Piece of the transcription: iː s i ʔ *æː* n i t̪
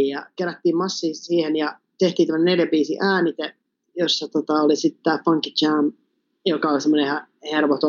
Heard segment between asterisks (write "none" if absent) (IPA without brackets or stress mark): æː